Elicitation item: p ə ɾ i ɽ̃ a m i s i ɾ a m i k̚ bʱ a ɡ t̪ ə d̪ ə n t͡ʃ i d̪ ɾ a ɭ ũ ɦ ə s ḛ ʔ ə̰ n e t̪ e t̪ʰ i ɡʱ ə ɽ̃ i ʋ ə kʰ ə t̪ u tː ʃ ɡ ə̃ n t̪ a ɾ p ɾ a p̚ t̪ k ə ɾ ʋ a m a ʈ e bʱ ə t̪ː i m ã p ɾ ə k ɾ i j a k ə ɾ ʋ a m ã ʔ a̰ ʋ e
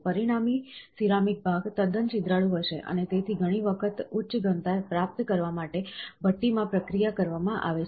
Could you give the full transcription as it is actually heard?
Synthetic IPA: p ə ɾ i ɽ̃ a m i s i ɾ a m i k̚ bʱ a ɡ t̪ ə d̪ ə n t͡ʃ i d̪ ɾ a ɭ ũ ɦ ə ʃ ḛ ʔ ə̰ n e t̪ e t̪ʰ i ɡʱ ə ɽ̃ i ʋ ə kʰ ə t̪ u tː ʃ ɡ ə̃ n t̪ a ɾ p ɾ a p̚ t̪ k ə ɾ ʋ a m a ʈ e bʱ ə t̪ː i m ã p ɾ ə k ɾ i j a k ə ɾ ʋ a m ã ʔ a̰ ʋ e